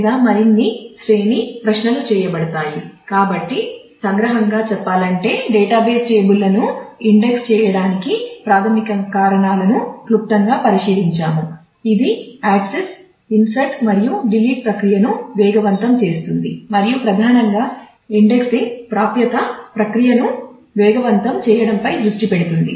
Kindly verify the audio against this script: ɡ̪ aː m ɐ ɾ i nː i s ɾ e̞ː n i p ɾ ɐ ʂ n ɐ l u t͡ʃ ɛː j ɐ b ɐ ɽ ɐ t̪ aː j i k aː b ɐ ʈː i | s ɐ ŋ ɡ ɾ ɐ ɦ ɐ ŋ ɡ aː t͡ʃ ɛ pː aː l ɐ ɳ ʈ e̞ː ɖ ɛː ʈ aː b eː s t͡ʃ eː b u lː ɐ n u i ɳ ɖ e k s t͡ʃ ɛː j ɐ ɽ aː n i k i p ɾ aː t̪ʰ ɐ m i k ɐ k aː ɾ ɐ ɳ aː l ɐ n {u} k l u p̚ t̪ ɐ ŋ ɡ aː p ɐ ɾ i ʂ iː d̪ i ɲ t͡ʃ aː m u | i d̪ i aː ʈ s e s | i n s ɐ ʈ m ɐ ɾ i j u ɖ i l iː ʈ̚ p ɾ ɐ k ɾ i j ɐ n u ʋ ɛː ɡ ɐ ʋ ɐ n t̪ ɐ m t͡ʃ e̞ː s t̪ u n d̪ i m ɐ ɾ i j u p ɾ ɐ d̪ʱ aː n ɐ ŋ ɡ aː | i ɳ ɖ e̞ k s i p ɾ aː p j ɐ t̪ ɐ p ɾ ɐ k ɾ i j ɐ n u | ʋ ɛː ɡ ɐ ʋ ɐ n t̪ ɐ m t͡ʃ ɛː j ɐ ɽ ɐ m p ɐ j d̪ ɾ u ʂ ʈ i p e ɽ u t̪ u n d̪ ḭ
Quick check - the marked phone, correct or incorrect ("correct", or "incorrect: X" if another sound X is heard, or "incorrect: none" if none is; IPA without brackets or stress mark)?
correct